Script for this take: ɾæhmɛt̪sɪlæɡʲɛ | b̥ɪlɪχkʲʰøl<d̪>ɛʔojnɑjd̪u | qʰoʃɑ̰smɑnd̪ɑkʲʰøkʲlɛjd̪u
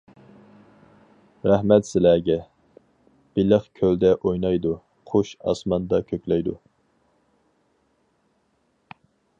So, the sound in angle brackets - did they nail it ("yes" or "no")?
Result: yes